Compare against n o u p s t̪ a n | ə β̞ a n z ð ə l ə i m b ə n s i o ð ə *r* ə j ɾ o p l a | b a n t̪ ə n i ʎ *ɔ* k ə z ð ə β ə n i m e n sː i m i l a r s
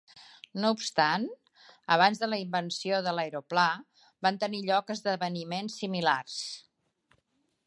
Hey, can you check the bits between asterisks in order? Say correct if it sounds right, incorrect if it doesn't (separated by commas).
incorrect, correct